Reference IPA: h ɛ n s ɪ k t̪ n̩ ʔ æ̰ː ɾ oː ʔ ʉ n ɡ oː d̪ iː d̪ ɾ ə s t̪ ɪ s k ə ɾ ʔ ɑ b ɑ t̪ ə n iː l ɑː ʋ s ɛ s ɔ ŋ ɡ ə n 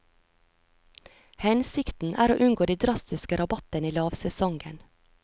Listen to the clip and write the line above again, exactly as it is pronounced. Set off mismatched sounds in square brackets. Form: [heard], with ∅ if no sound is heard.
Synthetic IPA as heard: h ɛ n s ɪ k t̪ n̩ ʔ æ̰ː ɾ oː ʔ ʉ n ɡ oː d̪ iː d̪ ɾ [ɑ] s t̪ ɪ s k ə ɾ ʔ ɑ b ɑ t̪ ə n iː l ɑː ʋ s ɛ s ɔ ŋ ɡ ə n